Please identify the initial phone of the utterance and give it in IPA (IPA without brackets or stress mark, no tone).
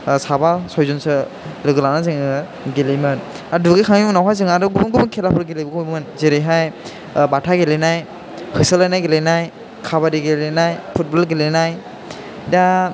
s